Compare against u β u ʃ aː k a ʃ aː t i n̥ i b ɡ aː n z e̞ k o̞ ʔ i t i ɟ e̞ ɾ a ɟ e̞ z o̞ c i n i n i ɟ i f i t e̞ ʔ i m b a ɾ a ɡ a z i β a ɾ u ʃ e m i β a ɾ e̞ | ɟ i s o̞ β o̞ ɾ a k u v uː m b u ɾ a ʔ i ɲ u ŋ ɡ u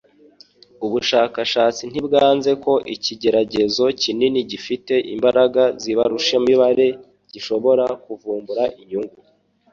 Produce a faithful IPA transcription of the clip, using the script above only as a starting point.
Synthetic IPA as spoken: u β u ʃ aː k a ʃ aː t͡s i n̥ i b ɡ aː n z e̞ k o̞ ʔ i c i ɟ e̞ ɾ a ɟ e̞ z o̞ c i n i n i ɟ i f i t e̞ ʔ i m b a ɾ a ɡ a z i β a ɾ u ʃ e m i β a ɾ e̞ | ɟ i ʃ o̞ β o̞ ɾ a k u v uː m b u ɾ a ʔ i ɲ u ŋ ɡ u